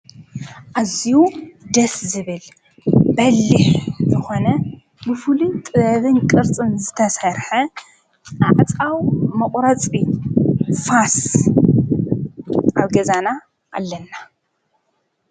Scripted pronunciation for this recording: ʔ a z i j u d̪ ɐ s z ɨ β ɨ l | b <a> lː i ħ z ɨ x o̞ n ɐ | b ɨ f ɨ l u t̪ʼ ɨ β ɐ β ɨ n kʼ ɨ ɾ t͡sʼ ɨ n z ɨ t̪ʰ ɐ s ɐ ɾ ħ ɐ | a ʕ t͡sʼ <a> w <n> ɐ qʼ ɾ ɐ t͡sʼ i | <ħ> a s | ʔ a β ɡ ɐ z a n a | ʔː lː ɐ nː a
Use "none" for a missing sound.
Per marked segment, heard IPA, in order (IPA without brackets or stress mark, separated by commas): ɐ, a, m, f